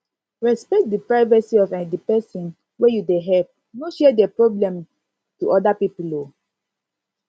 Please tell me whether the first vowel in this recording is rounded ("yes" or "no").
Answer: no